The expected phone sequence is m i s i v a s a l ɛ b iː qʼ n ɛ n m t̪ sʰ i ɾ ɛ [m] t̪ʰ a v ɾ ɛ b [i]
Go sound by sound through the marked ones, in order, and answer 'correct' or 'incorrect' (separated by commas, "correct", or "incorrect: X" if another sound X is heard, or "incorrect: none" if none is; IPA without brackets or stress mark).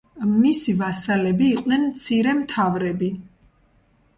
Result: correct, correct